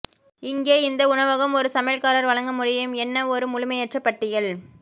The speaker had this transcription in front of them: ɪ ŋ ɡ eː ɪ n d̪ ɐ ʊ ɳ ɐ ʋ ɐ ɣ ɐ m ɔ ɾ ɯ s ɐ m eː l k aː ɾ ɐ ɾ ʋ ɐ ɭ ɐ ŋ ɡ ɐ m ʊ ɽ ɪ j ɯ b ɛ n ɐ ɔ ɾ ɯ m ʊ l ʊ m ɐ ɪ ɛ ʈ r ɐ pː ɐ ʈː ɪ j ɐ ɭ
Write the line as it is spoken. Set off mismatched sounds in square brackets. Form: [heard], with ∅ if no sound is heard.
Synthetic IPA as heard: ɪ ŋ ɡ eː ɪ n d̪ ɐ ʊ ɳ ɐ ʋ ɐ ɣ ɐ m ɔ ɾ ɯ s ɐ m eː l k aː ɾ ɐ ɾ ʋ ɐ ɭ ɐ ŋ ɡ ɐ m ʊ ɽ ɪ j ɯ [m] ɛ [nː] ɐ ɔ ɾ ɯ m ʊ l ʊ m ɐ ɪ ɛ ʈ r ɐ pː ɐ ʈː ɪ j ɐ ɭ

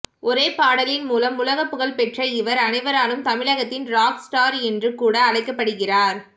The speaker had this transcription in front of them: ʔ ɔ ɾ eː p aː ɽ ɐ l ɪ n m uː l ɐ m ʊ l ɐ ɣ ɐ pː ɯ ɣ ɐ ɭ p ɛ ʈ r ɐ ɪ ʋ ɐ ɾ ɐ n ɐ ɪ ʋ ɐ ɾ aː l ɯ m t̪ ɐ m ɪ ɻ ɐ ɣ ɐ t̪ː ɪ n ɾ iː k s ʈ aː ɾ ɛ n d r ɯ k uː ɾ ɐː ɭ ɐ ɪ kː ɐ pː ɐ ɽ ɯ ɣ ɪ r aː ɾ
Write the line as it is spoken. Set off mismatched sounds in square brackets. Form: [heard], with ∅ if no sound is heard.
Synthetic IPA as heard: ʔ ɔ ɾ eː p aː ɽ ɐ l ɪ n m uː l ɐ m ʊ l ɐ ɣ ɐ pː ɯ ɣ ɐ ɭ p ɛ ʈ r ɐ ɪ ʋ ɐ ɾ ɐ n ɐ ɪ ʋ ɐ ɾ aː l ɯ m t̪ ɐ m ɪ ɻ ɐ ɣ ɐ t̪ː ɪ n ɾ [aː] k s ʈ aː ɾ ɛ n d r ɯ k uː [ɽ] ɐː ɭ ɐ ɪ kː ɐ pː ɐ ɽ ɯ ɣ ɪ r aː ɾ

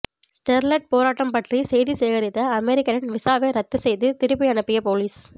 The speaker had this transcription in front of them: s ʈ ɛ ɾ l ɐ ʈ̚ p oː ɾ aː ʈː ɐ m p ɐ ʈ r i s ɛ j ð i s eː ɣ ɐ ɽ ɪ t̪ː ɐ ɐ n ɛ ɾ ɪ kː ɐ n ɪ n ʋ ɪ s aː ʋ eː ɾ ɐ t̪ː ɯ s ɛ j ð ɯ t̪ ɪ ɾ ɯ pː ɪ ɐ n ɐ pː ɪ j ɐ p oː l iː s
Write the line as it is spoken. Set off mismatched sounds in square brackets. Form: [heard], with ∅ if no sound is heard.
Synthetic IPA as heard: s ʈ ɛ ɾ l ɐ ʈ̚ p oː ɾ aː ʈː ɐ m p ɐ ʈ r i s ɛ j ð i s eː ɣ ɐ [ɾ] ɪ t̪ː ɐ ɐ [m] ɛ ɾ ɪ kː ɐ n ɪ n ʋ ɪ s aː ʋ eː ɾ ɐ t̪ː ɯ s ɛ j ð ɯ t̪ ɪ ɾ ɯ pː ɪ ɐ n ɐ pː ɪ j ɐ p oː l iː s

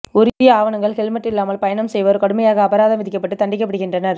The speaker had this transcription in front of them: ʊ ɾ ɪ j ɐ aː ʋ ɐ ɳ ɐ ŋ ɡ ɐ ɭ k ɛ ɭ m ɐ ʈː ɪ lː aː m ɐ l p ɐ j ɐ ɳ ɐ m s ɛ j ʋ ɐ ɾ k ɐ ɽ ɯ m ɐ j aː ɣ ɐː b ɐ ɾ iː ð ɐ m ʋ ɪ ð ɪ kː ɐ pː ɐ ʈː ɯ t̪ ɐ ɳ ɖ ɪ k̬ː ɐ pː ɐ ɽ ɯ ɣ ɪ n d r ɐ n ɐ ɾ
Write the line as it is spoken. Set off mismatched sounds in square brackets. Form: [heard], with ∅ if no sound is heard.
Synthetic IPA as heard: ʊ ɾ ɪ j ɐ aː ʋ ɐ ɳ ɐ ŋ ɡ ɐ ɭ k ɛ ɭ m ɐ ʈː ɪ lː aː m ɐ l p ɐ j ɐ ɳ ɐ m s ɛ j ʋ ɐ ɾ k ɐ ɽ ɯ m ɐ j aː ɣ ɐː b ɐ ɾ [aː] ð ɐ m ʋ ɪ ð ɪ kː ɐ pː ɐ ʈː ɯ t̪ ɐ ɳ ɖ ɪ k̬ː ɐ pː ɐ ɽ ɯ ɣ ɪ n d r ɐ n ɐ ɾ

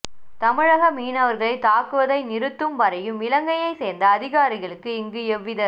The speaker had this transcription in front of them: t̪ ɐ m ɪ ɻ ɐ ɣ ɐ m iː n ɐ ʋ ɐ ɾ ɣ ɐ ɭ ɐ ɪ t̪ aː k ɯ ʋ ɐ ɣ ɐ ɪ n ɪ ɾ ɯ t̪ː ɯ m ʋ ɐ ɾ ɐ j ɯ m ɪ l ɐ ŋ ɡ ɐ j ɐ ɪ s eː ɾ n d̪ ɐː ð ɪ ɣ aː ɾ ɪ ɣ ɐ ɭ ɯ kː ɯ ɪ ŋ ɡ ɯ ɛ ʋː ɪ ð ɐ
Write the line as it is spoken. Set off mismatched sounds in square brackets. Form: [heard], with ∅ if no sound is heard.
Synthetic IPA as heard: t̪ ɐ m ɪ ɻ ɐ ɣ ɐ m iː n ɐ ʋ ɐ ɾ ɣ ɐ ɭ ɐ ɪ t̪ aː k ɯ ʋ ɐ [ð] ɐ ɪ n ɪ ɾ ɯ t̪ː ɯ m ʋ ɐ ɾ ɐ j ɯ m ɪ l ɐ ŋ ɡ ɐ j ɐ ɪ s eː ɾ n d̪ ɐː ð ɪ ɣ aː ɾ ɪ ɣ ɐ ɭ ɯ kː ɯ ɪ ŋ ɡ ɯ ɛ ʋː ɪ ð ɐ

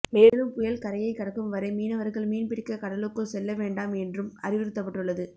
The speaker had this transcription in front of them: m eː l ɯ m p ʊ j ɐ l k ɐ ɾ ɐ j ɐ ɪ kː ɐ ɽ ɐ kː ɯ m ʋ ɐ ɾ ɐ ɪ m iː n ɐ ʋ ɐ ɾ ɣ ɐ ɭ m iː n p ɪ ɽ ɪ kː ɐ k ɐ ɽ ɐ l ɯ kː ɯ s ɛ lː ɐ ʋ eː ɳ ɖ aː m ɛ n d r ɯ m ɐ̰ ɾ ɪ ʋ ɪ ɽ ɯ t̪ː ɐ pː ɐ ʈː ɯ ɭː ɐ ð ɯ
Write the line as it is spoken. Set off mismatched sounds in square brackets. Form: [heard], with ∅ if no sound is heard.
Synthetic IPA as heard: m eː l ɯ m p ʊ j ɐ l k ɐ ɾ ɐ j ɐ ɪ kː ɐ ɽ ɐ kː ɯ m ʋ ɐ ɾ ɐ ɪ m iː n ɐ ʋ ɐ ɾ ɣ ɐ ɭ m iː n p ɪ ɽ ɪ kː ɐ k ɐ ɽ ɐ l ɯ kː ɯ s ɛ lː ɐ ʋ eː ɳ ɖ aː m ɛ n d r ɯ m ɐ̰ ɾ ɪ ʋ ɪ [ɾ] ɯ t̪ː ɐ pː ɐ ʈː ɯ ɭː ɐ ð ɯ

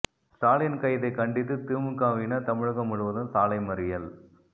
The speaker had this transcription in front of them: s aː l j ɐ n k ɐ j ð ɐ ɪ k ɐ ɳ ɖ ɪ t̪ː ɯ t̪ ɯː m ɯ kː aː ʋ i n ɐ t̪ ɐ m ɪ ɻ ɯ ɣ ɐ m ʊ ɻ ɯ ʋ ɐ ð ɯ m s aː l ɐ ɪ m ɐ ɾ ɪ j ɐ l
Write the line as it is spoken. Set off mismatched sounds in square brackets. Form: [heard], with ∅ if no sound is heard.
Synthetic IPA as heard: s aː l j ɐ n k ɐ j ð ɐ ɪ k ɐ ɳ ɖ ɪ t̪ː ɯ t̪ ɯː m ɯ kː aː ʋ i n ɐ t̪ ɐ m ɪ ɻ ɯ ɣ ɐ m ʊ ɻ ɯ ʋ ɐ ð ɯ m s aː l ɐ ɪ m ɐ ɾ ɪ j ɐ l

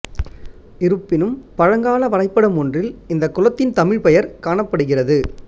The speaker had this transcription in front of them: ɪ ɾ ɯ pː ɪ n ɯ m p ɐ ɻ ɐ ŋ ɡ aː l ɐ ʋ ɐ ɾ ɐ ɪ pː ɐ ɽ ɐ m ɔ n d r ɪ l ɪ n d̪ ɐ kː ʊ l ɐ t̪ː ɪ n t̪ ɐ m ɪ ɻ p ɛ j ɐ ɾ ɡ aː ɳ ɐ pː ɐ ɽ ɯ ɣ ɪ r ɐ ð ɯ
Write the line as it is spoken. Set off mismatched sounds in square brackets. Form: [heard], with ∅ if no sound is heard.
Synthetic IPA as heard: ɪ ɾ ɯ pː ɪ n ɯ m p ɐ ɻ ɐ ŋ ɡ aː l ɐ ʋ ɐ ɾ ɐ ɪ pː ɐ ɽ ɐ m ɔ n d r ɪ l ɪ n d̪ ɐ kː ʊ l ɐ t̪ː ɪ n t̪ ɐ m ɪ ɻ p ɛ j ɐ ɾ [k] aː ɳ ɐ pː ɐ ɽ ɯ ɣ ɪ r ɐ ð ɯ

